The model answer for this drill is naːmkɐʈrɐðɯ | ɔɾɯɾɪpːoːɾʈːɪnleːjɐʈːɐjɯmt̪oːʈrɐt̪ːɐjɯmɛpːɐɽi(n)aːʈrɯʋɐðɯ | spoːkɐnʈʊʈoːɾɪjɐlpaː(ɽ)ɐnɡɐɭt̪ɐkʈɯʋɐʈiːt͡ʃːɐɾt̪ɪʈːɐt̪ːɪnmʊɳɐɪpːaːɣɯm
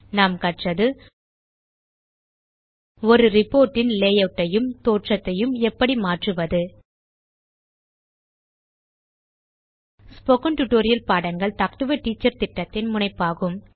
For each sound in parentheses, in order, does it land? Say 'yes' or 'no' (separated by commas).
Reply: no, yes